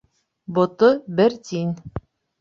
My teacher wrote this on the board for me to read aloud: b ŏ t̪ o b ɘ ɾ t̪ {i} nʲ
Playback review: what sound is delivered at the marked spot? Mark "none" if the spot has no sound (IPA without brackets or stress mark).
i